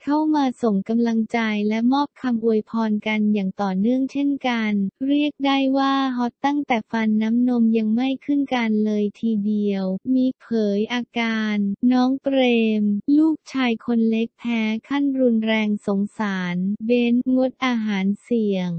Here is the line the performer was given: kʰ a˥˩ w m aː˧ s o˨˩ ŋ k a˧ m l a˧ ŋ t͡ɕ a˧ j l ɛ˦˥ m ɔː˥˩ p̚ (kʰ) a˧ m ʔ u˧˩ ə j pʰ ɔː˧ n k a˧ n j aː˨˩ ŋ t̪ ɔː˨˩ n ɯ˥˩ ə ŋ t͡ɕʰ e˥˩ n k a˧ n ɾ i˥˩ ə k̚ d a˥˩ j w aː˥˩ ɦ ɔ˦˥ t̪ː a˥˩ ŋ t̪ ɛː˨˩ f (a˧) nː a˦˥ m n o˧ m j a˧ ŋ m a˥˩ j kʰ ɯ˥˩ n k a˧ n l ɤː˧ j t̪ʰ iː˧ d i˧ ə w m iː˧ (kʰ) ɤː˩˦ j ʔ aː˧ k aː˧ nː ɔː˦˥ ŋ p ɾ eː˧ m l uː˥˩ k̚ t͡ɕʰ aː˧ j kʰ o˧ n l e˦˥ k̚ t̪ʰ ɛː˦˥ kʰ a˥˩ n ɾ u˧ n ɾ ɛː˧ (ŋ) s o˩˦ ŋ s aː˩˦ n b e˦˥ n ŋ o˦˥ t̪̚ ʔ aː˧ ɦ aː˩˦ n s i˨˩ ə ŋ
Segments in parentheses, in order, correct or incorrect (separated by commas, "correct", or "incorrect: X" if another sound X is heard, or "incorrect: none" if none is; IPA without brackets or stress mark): correct, correct, incorrect: pʰ, correct